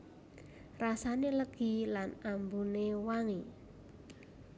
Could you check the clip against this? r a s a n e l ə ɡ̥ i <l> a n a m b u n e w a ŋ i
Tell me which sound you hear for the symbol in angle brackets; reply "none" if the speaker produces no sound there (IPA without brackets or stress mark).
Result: l